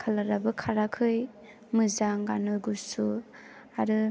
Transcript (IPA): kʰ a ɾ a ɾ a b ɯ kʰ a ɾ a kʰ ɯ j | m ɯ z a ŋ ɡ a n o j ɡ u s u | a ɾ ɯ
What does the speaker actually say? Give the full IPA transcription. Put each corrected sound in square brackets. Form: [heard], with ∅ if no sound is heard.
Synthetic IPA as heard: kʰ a [l] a ɾ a b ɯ kʰ a ɾ a kʰ ɯ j | m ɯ z a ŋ ɡ a n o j ɡ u s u | a ɾ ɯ